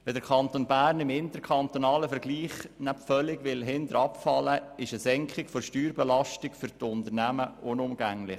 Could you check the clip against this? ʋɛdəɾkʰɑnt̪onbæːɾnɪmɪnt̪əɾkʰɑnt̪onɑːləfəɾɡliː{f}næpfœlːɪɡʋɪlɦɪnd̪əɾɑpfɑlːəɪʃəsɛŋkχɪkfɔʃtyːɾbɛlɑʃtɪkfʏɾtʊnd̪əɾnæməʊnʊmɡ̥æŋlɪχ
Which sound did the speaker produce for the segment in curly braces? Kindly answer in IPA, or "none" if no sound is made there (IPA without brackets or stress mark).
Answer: χ